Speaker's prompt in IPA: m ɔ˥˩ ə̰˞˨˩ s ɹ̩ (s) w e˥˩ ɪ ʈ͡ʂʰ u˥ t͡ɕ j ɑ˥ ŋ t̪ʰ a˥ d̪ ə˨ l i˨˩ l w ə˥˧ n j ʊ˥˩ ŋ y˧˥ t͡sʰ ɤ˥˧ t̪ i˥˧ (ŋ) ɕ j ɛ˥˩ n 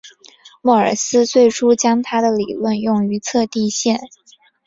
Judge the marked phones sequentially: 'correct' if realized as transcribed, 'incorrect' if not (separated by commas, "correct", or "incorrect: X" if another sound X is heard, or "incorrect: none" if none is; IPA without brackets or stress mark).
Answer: incorrect: t͡s, incorrect: none